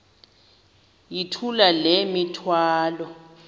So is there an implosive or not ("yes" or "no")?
no